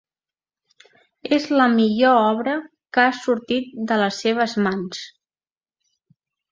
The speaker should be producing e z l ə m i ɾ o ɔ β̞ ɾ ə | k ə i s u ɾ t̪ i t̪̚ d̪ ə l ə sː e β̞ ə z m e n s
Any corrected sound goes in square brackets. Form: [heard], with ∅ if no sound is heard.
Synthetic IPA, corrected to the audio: e z l ə m i [ʎ] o ɔ β̞ ɾ ə | k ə [a] s u ɾ t̪ i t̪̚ d̪ ə l ə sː e β̞ ə z m [a] n s